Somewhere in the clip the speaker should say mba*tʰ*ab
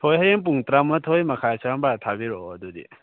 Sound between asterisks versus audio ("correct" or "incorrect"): correct